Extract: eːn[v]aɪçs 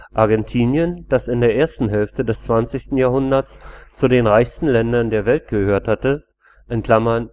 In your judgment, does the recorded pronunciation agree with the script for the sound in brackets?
no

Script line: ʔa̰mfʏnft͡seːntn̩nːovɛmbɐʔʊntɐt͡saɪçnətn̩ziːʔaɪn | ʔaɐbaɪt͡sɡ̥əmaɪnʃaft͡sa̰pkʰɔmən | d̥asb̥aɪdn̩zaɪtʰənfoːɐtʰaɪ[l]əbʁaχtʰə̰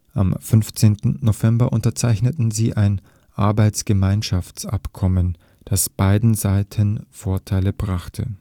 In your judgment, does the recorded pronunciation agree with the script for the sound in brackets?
yes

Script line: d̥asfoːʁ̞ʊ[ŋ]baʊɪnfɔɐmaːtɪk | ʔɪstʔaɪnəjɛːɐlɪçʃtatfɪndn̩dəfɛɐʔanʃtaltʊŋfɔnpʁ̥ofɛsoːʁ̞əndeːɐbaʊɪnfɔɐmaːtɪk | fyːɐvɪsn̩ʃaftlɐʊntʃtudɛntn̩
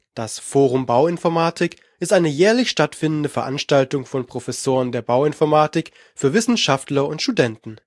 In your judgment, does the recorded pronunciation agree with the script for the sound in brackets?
no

